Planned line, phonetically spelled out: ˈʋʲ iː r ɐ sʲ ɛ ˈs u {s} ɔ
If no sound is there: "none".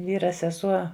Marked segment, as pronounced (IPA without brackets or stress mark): none